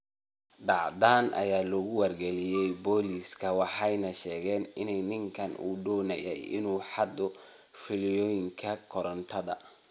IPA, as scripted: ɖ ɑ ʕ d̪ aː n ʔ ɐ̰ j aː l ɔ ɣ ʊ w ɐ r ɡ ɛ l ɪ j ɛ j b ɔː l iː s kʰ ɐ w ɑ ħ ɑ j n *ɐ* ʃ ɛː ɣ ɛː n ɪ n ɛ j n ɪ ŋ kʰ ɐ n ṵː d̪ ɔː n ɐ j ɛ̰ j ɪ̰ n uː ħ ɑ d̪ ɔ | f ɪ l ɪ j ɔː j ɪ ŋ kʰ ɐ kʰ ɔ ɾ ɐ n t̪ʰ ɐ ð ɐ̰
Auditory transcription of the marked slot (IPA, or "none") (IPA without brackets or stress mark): ɐ